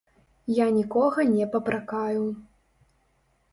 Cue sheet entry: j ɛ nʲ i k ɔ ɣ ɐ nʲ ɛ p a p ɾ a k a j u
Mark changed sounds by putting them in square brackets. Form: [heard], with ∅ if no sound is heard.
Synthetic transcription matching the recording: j [a] nʲ i k ɔ ɣ ɐ nʲ ɛ p [ɐ] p ɾ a k a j u